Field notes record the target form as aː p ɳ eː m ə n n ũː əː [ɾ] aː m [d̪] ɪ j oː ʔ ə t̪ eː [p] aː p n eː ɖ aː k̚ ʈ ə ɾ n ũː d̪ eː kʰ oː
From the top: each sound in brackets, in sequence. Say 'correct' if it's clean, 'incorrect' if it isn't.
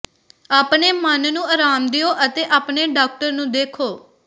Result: correct, correct, incorrect: ʔ

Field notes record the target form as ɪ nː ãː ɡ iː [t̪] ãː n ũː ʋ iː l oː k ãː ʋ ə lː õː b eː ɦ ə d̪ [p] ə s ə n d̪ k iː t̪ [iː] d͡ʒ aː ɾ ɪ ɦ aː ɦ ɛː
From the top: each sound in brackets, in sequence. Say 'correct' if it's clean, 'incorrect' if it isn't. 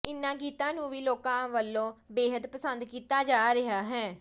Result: correct, correct, incorrect: aː

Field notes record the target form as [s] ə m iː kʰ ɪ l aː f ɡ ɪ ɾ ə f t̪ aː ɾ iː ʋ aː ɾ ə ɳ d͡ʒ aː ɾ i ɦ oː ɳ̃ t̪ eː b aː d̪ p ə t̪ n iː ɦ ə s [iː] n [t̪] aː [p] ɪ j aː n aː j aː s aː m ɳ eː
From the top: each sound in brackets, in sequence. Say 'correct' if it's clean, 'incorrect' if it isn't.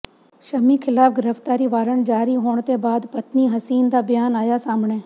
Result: incorrect: ʃ, correct, incorrect: d̪, incorrect: b

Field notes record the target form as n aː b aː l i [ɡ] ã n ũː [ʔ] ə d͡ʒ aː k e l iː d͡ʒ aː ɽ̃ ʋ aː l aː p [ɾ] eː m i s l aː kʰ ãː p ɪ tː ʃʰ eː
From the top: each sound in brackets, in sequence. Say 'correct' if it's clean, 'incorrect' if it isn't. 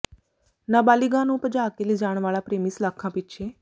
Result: correct, incorrect: p, correct

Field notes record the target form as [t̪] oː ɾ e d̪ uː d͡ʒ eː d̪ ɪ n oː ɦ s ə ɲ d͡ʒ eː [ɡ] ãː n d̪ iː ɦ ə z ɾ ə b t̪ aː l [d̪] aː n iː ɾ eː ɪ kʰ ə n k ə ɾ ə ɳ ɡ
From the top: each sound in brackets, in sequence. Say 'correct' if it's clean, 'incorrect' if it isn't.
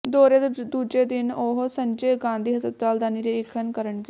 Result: incorrect: d̪, correct, correct

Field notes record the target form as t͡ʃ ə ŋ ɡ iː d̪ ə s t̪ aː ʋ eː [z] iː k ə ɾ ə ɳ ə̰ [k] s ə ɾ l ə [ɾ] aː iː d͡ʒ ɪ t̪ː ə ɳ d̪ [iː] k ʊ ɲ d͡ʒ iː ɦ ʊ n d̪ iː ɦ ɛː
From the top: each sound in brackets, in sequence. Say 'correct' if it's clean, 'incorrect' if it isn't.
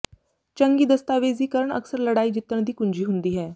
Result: correct, correct, incorrect: ɽ, correct

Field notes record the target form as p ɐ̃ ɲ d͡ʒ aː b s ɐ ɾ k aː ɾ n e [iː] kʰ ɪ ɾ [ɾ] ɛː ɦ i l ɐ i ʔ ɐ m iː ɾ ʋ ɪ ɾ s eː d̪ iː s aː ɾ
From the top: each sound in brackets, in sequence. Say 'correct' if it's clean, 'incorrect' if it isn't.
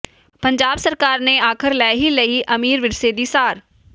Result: incorrect: aː, incorrect: l

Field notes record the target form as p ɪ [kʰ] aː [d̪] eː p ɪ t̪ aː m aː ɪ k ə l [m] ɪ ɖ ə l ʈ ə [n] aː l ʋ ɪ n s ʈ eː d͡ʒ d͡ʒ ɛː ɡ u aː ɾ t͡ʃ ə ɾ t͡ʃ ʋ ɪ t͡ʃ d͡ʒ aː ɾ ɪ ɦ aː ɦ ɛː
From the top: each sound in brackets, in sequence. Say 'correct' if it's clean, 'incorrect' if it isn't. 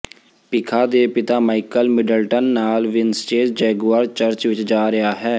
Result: correct, correct, correct, incorrect: nː

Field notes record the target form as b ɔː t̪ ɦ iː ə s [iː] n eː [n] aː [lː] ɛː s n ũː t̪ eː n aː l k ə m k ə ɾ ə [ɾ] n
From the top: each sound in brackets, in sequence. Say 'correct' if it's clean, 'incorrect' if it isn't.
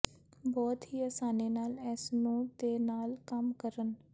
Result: incorrect: aː, correct, incorrect: l, incorrect: none

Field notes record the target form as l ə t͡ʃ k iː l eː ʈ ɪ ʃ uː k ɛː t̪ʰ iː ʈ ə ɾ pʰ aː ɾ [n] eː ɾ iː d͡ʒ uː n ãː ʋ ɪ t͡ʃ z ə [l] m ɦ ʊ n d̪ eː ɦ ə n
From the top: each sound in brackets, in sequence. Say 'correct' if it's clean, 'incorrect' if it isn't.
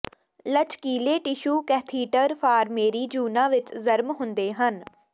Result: incorrect: m, incorrect: ɾ

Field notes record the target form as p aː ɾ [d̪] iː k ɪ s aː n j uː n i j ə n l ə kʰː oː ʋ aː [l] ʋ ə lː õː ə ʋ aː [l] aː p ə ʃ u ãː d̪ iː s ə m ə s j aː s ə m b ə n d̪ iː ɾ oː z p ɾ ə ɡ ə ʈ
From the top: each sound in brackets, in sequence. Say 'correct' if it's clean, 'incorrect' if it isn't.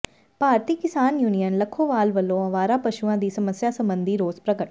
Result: incorrect: t̪, correct, incorrect: ɾ

